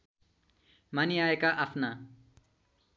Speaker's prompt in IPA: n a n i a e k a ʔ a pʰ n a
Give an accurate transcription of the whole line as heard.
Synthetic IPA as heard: m a n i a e k a ʔ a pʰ n a